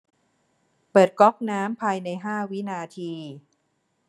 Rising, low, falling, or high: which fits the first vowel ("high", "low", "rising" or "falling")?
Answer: low